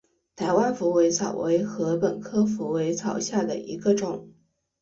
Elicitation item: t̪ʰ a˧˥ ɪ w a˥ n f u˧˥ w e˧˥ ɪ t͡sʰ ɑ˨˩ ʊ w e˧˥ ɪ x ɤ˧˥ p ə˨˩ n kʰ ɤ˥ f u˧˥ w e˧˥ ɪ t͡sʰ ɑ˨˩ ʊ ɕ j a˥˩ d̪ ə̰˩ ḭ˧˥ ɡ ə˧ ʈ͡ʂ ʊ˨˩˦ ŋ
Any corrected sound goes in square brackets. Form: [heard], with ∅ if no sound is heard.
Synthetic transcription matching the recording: t̪ʰ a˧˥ ɪ w a˥ n f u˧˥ w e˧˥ ɪ t͡sʰ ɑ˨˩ ʊ w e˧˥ ɪ x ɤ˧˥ p ə˨˩ n kʰ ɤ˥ f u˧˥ w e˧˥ ɪ t͡sʰ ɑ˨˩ ʊ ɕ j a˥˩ d̪ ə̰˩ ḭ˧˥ ɡ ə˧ ʈ͡ʂ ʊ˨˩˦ ŋ

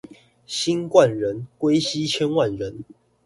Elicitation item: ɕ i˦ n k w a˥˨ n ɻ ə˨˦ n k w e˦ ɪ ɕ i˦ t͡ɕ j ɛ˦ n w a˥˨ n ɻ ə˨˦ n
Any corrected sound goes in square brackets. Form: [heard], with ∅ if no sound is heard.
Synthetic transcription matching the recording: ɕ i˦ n k w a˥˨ n ɻ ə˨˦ n k w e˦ ɪ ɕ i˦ [t͡ɕʰ] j ɛ˦ n w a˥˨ n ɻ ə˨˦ n

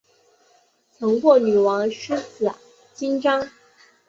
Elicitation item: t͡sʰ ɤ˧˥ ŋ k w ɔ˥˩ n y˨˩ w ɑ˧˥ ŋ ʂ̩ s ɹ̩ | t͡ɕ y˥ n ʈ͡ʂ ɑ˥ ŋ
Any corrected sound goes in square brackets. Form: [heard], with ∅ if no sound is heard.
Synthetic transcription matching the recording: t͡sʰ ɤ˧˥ ŋ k w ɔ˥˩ n y˨˩ w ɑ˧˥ ŋ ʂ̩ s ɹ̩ | t͡ɕ [i˥] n ʈ͡ʂ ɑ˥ ŋ

